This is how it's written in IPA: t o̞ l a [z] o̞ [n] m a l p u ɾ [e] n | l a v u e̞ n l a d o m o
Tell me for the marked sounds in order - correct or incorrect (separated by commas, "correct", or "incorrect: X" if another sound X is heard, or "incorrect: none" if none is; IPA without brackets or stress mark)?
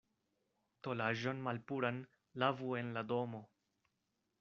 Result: incorrect: ʒ, correct, incorrect: a